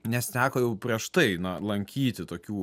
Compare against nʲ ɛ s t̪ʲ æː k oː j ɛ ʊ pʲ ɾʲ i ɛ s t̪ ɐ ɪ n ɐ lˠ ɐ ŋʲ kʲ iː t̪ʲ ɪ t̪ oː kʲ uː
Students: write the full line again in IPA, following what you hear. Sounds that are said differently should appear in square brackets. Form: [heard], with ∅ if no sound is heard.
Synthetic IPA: nʲ ɛ s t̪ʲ æː k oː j ɛ ʊ pʲ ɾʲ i ɛ [ʃ] t̪ ɐ ɪ n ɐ lˠ ɐ ŋʲ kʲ iː t̪ʲ ɪ t̪ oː kʲ uː